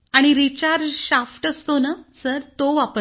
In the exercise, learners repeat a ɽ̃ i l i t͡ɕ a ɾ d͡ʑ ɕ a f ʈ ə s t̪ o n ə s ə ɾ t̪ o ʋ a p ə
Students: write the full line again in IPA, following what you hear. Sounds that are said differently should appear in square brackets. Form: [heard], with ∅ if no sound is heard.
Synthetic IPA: a ɽ̃ i [ɾ] i t͡ɕ a ɾ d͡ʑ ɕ a f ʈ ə s t̪ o n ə s ə ɾ t̪ o ʋ a p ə